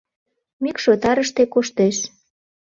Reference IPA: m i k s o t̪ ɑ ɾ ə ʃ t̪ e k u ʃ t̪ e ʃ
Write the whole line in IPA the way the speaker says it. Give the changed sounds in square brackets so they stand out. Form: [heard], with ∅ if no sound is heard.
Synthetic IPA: m i k [ʃ] o t̪ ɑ ɾ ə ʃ t̪ e k [o] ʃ t̪ e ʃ